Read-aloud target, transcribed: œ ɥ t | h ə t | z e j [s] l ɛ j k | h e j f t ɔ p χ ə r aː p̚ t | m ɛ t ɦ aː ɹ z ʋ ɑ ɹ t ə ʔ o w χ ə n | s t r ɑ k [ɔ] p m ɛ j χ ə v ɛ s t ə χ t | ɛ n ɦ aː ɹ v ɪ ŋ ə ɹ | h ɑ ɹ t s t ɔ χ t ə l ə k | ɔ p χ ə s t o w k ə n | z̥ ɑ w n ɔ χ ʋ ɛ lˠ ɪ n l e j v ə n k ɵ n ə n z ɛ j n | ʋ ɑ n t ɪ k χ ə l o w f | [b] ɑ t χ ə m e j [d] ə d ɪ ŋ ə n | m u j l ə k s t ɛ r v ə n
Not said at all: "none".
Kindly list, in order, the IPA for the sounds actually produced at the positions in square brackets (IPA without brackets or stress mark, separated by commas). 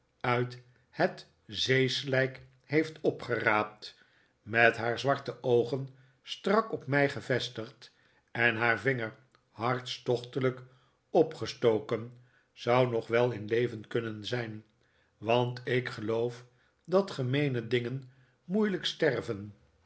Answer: s, ɔ, d, n